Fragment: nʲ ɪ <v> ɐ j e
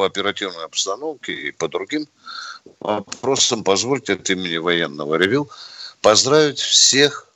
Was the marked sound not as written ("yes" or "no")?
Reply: no